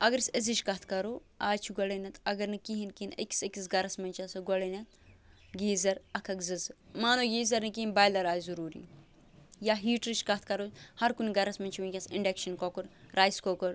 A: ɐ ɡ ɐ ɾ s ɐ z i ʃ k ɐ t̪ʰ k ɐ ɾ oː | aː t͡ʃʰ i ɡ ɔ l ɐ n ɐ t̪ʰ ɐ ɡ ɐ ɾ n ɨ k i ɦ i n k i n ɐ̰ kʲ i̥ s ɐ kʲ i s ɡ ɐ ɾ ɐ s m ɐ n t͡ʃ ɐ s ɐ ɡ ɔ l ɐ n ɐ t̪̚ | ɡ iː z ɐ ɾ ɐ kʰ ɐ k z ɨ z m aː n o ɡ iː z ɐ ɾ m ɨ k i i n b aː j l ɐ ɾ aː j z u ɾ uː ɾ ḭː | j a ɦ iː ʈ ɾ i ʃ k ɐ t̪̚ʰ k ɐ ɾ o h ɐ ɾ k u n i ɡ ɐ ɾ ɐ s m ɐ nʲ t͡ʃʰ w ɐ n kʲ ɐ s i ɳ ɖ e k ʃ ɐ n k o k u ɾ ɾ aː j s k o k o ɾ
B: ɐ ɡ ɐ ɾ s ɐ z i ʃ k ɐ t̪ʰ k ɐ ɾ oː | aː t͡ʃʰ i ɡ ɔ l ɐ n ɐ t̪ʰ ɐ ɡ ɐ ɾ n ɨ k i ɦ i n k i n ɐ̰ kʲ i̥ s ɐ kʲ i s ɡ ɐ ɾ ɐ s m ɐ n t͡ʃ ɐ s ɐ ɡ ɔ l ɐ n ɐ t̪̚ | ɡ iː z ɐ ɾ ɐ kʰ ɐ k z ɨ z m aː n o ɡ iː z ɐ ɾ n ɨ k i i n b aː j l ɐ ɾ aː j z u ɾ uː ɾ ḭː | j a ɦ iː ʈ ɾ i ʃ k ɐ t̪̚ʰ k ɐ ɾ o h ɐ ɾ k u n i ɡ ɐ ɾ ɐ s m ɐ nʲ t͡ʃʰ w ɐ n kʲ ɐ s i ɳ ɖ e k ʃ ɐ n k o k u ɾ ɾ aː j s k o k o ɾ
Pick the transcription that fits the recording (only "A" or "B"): B